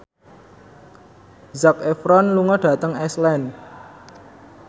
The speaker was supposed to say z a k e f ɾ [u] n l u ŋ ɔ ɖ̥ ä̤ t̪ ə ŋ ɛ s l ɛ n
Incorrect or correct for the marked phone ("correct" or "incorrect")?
incorrect